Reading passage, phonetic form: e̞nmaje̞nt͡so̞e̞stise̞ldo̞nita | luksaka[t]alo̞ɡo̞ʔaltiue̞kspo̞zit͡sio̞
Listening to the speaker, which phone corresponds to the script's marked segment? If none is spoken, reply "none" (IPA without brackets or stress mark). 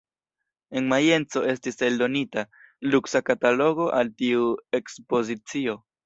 t